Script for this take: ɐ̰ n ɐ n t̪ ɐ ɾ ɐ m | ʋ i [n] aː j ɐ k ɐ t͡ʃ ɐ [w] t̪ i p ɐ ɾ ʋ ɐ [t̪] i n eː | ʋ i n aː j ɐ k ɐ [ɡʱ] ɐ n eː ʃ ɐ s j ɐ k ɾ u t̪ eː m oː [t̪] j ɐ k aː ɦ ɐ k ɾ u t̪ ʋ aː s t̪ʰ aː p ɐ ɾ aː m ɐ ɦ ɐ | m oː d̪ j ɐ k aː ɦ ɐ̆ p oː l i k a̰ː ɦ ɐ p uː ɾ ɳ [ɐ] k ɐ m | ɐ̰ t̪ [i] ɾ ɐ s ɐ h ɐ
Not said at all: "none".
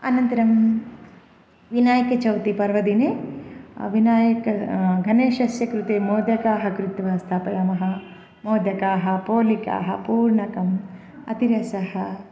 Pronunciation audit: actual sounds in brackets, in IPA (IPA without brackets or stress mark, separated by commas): n, w, d̪, ɡʱ, d̪, ɐ, i